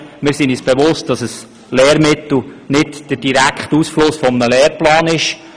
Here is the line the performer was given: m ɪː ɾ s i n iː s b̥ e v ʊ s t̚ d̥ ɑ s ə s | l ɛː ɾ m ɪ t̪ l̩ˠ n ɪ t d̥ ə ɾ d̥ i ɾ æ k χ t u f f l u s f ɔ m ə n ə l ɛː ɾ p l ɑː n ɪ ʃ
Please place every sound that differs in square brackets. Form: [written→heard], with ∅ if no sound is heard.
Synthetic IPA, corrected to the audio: m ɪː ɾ s i n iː s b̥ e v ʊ s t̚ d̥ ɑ s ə s | l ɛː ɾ m ɪ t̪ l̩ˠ n ɪ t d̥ ə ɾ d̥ i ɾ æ k χ t u [f→s] f l [u→ʊ] s f ɔ m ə n ə l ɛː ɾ p l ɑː n ɪ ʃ